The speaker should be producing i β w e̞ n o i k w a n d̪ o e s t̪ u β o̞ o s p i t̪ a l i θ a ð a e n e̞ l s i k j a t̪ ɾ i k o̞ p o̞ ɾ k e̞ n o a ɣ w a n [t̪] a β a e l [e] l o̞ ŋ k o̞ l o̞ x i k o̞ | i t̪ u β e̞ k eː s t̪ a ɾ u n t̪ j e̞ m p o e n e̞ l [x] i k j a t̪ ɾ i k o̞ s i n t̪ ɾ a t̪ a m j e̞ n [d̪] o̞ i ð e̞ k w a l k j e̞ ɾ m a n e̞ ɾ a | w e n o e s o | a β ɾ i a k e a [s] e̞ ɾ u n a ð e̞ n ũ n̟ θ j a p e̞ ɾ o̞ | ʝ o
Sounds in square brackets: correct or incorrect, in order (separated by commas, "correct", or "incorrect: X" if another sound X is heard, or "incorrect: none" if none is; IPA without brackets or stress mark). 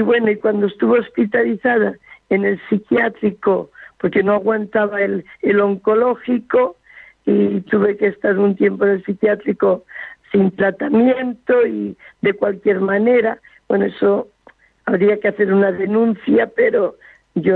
correct, correct, incorrect: s, incorrect: t̪, incorrect: θ